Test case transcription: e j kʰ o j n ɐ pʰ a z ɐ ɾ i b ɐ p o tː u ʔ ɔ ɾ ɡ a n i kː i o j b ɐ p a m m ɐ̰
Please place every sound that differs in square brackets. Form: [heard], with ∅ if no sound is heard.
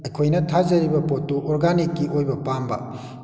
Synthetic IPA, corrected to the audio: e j kʰ o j n ɐ [tʰ] a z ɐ ɾ i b ɐ p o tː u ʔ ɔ ɾ ɡ a n i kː i o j b ɐ p a m [b] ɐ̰